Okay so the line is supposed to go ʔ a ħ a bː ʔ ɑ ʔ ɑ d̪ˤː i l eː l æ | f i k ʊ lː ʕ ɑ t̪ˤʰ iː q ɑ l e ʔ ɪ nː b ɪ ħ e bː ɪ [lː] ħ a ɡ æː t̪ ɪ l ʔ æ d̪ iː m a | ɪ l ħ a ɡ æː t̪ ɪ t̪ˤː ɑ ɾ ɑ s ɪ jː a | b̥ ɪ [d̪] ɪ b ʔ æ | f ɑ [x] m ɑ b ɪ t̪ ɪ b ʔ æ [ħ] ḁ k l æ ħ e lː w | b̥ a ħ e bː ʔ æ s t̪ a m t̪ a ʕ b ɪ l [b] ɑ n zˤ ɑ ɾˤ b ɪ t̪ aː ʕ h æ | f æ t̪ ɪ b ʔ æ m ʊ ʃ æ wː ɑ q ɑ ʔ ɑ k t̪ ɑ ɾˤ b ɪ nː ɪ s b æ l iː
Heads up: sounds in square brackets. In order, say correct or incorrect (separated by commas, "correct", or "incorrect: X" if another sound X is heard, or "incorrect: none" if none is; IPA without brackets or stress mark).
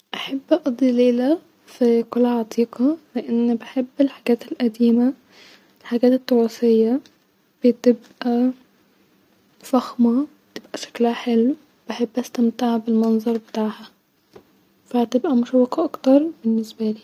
incorrect: l, incorrect: t̪, correct, incorrect: ʃ, incorrect: m